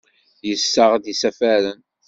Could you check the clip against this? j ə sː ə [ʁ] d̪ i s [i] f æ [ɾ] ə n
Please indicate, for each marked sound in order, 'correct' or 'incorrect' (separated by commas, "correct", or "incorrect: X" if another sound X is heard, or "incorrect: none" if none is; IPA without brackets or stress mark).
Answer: correct, incorrect: æ, correct